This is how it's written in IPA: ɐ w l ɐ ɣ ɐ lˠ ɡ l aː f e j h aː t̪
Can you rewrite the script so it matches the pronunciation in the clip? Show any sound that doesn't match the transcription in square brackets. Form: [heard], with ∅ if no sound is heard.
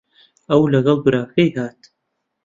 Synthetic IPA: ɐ w l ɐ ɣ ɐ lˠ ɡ [ɾ] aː f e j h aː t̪